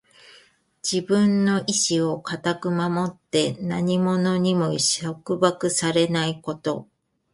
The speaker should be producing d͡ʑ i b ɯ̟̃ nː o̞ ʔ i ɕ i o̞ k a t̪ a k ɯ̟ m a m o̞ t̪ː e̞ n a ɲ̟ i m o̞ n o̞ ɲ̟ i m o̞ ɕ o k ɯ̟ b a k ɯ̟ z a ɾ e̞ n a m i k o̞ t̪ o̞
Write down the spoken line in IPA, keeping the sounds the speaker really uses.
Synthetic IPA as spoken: d͡ʑ i b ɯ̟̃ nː o̞ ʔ i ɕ i o̞ k a t̪ a k ɯ̟ m a m o̞ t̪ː e̞ n a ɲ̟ i m o̞ n o̞ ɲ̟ i m o̞ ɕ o k ɯ̟ b a k ɯ̟ s a ɾ e̞ n a i k o̞ t̪ o̞